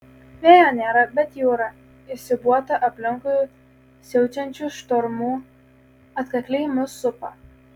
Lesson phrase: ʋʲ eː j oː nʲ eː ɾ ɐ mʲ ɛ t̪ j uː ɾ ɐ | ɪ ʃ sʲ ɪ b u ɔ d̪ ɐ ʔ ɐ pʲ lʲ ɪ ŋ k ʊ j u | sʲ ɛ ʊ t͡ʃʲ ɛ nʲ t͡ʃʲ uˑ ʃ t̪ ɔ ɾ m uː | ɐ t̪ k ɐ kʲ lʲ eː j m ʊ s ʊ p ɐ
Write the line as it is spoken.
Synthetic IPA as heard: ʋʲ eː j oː nʲ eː ɾ ɐ bʲ ɛ t̪ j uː ɾ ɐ | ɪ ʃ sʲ ɪ b u ɔ t̪ ɐ ʔ ɐ pʲ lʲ ɪ ŋ k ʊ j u | sʲ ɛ ʊ t͡ʃʲ ɛ nʲ t͡ʃʲ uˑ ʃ t̪ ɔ ɾ m uː | ɐ t̪ k ɐ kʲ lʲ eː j m ʊ s ʊ p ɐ